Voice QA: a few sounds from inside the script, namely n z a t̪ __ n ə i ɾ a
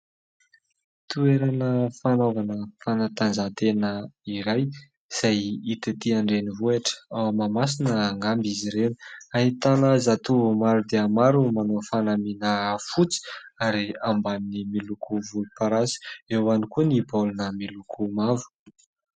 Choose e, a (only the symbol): e